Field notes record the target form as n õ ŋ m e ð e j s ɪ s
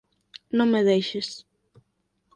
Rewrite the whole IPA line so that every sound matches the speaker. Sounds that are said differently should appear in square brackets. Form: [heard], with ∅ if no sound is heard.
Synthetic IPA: n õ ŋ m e ð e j [ʃ] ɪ s